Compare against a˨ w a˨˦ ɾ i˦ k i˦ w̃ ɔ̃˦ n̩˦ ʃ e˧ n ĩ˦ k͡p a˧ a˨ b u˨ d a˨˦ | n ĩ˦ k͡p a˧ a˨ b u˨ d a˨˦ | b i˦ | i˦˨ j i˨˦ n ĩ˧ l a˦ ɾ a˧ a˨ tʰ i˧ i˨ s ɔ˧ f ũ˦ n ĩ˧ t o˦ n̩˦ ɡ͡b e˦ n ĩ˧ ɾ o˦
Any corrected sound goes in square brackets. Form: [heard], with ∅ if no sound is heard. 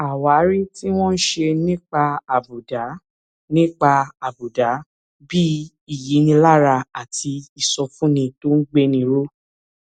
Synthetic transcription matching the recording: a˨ w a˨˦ ɾ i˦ [t] i˦ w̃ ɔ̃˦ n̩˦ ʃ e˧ n ĩ˦ k͡p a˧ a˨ b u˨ d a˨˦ | n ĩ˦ k͡p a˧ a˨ b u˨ d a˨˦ | b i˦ | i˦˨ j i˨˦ n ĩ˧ l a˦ ɾ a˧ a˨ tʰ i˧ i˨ s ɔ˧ f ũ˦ n ĩ˧ t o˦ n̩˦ ɡ͡b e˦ n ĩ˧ ɾ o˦